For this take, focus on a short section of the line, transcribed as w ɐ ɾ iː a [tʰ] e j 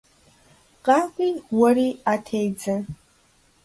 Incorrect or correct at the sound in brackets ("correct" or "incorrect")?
correct